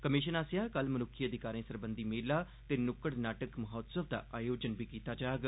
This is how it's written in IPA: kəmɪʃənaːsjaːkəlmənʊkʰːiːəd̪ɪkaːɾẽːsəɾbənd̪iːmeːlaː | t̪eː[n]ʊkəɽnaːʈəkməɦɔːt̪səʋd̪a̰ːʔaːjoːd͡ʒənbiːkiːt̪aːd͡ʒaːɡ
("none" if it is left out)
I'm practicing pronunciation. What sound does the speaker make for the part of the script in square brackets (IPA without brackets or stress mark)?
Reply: n